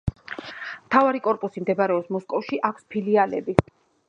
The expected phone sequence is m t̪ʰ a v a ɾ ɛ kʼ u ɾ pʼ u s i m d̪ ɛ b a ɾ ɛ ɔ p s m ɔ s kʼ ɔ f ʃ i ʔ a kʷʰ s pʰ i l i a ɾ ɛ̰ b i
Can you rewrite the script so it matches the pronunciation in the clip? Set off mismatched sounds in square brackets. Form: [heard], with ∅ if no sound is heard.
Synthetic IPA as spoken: m t̪ʰ a v a ɾ [i] kʼ [ɔ] ɾ pʼ u s i m d̪ ɛ b a ɾ ɛ ɔ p s m ɔ s kʼ ɔ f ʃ i ʔ a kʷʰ s pʰ i l i a [l] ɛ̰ b i